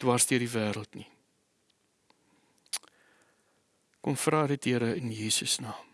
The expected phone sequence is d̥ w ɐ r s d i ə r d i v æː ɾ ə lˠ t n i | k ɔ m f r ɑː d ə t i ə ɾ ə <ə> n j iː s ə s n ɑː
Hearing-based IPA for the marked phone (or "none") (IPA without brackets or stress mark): ə